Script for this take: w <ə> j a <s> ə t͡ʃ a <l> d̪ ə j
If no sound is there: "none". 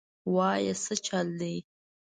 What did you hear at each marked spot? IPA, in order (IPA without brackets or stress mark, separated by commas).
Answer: ɑ, s, l